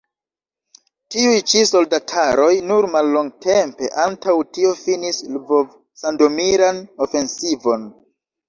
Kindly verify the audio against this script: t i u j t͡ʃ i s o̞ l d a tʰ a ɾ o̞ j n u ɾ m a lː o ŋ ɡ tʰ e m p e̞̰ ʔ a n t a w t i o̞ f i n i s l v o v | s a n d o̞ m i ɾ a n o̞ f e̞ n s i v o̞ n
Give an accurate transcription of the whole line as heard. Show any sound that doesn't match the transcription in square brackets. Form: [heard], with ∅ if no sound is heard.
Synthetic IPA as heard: t i u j t͡ʃ i s o̞ l d a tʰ a ɾ o̞ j n u ɾ m a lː o ŋ ɡ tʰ e m p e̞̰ ʔ a n t a w t i o̞ f i n i s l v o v | s a n d o̞ m i ɾ a n o̞ f e̞ n s i v o̞ n